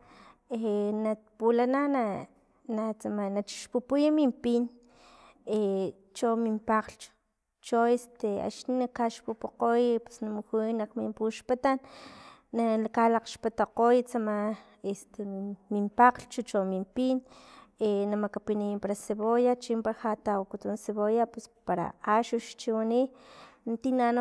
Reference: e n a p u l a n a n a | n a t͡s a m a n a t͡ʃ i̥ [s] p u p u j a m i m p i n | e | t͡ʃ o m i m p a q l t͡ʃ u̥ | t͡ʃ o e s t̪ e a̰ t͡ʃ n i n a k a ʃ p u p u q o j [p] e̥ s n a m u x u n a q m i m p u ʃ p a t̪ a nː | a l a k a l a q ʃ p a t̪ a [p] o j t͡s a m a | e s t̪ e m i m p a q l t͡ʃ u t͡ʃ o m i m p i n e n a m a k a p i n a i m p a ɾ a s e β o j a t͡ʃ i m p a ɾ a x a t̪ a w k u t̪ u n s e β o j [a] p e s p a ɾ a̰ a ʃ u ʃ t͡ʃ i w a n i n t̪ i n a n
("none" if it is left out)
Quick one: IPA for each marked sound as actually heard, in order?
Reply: ʃ, p, q, a

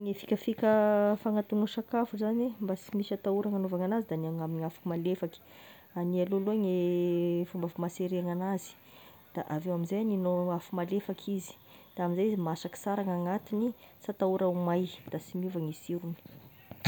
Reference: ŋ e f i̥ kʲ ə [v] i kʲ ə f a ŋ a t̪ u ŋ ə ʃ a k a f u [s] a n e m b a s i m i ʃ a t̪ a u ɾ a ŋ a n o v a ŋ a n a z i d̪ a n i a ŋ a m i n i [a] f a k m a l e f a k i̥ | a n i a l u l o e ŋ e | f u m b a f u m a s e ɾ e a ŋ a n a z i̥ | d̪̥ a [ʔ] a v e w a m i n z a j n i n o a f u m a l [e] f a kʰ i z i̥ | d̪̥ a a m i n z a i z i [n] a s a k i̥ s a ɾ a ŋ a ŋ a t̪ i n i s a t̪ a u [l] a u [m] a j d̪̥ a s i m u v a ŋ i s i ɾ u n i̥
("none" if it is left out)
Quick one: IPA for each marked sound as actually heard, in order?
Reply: f, z, a, ʔ, e, m, ɾ, m

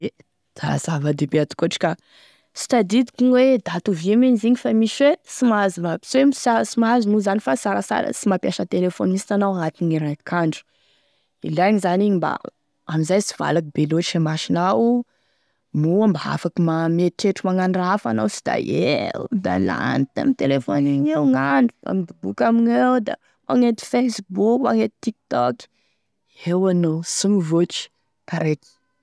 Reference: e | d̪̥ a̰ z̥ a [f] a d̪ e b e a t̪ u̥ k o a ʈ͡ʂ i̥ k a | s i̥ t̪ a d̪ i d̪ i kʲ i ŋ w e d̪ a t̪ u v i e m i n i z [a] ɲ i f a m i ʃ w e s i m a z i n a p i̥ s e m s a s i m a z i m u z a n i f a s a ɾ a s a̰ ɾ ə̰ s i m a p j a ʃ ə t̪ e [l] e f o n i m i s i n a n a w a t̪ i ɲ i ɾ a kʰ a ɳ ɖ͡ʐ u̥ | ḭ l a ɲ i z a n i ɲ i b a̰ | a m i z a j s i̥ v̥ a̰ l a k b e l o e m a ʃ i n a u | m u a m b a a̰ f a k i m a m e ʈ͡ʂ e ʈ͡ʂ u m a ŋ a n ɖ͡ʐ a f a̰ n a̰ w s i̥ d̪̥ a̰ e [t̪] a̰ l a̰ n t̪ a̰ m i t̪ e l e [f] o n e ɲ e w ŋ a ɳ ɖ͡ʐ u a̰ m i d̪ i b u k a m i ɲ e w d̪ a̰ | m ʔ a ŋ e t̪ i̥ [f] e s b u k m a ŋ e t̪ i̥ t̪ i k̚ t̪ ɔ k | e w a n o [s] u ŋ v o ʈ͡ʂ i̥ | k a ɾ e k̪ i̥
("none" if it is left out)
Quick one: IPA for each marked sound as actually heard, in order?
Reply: v, i, l, d̪, f, f, s

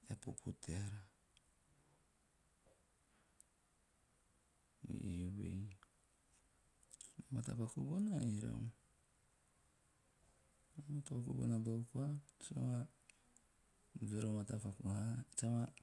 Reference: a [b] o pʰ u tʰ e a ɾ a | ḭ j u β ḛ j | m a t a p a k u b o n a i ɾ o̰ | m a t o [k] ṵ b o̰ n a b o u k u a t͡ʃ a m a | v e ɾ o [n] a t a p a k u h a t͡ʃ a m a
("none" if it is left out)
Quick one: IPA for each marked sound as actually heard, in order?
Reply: p, k, m

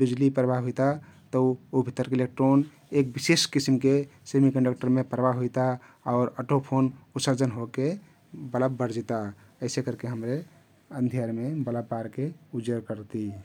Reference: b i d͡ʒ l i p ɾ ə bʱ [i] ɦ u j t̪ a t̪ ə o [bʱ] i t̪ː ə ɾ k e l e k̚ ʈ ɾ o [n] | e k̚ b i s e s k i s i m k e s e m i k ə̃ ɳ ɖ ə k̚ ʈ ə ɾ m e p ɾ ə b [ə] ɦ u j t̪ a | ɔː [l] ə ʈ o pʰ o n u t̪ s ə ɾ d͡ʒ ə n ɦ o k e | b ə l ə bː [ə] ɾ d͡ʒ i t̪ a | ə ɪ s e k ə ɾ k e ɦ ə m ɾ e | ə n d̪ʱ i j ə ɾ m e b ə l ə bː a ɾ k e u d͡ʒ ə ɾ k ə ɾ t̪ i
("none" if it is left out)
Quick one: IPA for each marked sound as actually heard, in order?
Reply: a, bʱ, n, a, ɾ, ə

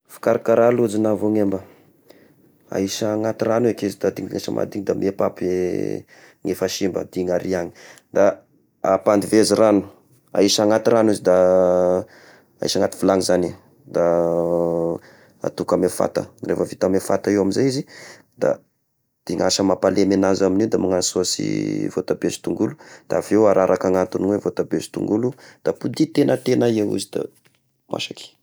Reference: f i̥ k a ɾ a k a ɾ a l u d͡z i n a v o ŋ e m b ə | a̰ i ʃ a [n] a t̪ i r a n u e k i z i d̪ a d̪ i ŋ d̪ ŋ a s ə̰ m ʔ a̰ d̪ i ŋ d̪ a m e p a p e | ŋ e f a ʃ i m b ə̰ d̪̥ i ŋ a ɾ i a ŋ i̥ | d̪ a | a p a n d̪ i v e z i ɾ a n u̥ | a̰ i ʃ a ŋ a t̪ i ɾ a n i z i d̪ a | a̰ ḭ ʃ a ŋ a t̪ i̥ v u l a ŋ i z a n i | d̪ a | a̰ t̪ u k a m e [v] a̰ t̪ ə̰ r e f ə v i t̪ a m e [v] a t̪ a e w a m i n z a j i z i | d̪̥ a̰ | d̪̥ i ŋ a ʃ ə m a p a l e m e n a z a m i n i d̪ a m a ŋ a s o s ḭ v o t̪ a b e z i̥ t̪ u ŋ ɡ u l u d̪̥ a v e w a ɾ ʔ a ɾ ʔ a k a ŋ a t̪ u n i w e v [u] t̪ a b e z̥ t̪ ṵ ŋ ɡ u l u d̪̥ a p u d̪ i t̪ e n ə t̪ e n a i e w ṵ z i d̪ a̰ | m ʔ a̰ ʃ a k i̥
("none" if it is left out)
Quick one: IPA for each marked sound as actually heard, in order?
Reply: ŋ, f, f, o

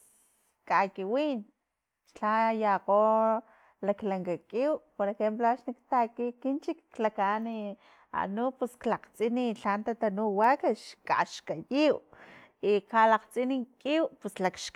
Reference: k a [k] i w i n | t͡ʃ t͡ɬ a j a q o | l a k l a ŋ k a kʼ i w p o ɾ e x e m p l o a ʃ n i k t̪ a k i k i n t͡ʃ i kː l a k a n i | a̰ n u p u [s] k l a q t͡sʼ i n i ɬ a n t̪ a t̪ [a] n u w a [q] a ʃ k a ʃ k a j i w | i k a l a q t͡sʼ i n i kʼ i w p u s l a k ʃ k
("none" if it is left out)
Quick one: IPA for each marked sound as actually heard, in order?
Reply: k, s, a, k

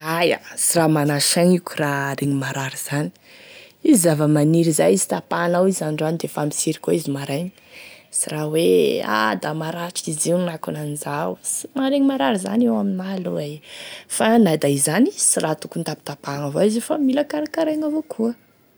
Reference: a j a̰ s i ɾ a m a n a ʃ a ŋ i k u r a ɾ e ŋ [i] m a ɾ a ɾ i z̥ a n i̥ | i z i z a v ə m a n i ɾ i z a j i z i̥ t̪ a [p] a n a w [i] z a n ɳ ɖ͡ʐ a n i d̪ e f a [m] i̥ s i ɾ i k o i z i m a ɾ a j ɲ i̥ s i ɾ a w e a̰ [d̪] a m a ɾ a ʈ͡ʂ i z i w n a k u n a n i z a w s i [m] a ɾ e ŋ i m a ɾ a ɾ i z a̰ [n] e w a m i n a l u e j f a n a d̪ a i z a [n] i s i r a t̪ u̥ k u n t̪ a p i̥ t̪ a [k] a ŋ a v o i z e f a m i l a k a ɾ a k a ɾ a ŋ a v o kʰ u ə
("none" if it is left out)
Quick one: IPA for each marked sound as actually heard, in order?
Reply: i, p, i, m, d̪, m, n, n, p

